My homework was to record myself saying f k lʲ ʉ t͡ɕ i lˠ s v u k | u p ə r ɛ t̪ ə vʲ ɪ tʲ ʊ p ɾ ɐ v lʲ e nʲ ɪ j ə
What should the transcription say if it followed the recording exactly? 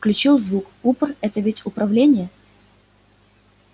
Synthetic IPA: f k lʲ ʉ t͡ɕ i lˠ z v u k | u p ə r ɛ t̪ ə vʲ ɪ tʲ ʊ p ɾ ɐ v lʲ e nʲ ɪ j ə